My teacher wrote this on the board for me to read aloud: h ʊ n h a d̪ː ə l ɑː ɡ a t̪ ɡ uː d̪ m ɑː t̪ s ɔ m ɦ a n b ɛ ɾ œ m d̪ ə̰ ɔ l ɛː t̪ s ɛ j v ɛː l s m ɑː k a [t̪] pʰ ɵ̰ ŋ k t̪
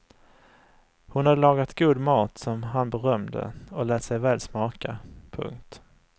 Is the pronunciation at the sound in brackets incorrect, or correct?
incorrect